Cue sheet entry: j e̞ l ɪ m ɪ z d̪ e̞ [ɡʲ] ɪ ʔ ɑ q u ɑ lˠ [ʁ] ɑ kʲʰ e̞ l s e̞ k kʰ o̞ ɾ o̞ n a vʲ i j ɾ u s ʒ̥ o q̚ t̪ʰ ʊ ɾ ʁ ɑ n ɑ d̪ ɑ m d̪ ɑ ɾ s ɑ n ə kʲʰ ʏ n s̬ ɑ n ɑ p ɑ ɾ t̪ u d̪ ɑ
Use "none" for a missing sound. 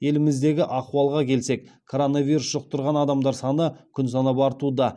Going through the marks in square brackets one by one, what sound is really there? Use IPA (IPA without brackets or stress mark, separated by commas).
ɡʲ, ʁ